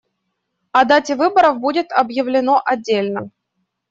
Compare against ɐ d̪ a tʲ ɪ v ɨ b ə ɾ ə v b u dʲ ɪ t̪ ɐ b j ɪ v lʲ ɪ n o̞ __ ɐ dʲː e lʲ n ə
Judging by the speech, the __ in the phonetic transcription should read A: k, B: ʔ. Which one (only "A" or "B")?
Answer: B